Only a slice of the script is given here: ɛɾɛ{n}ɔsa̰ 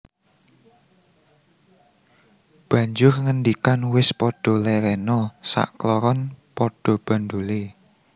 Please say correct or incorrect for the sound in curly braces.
correct